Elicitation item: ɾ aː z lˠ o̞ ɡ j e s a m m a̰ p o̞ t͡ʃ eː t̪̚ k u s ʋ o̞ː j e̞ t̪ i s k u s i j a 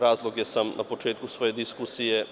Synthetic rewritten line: ɾ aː z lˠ o̞ ɡ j e s a m n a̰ p o̞ t͡ʃ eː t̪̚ k u s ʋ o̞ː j e̞ d̪ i s k u s i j e